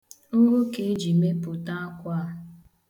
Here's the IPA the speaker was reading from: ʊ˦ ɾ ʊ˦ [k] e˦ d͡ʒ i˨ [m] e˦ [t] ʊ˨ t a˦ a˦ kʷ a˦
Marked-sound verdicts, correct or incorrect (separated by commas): correct, correct, incorrect